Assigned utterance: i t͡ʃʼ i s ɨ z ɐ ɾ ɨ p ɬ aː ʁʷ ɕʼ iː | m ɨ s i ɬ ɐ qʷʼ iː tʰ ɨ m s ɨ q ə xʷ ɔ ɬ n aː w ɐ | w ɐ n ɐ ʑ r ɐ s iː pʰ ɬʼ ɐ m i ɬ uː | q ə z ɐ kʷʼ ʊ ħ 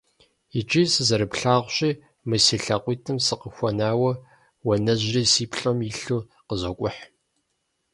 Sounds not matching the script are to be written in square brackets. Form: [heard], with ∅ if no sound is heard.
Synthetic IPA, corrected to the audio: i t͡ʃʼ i s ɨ z ɐ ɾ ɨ p ɬ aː ʁʷ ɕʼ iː | m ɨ s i ɬ ɐ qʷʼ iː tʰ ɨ m s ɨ q ə xʷ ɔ [∅] n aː w ɐ | w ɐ n ɐ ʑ r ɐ s iː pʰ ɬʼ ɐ m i ɬ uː | q ə z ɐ kʷʼ ʊ ħ